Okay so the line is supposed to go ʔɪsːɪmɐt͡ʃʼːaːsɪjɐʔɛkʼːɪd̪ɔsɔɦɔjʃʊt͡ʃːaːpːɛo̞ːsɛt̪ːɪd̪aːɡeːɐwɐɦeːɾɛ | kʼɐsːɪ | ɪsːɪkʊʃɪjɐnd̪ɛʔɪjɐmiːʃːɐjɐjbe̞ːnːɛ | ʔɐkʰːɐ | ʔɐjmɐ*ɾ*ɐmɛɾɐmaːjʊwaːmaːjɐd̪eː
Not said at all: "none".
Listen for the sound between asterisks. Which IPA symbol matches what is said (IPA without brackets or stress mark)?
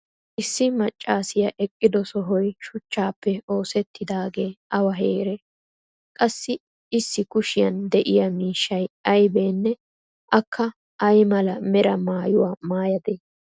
l